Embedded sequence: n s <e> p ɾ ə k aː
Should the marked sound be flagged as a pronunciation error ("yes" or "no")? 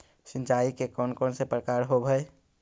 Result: no